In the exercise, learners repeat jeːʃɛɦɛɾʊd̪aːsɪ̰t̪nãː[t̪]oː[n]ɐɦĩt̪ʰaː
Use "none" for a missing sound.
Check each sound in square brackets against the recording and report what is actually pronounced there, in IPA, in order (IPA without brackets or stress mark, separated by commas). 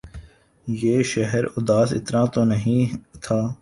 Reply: t̪, n